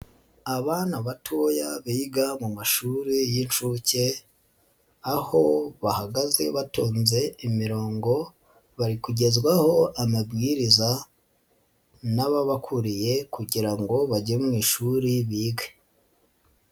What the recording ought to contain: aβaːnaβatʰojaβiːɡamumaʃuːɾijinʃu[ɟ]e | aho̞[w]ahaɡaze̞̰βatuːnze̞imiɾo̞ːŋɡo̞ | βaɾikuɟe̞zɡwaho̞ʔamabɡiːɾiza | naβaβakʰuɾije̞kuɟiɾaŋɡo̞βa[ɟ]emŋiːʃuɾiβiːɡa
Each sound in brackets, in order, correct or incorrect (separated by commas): incorrect, incorrect, correct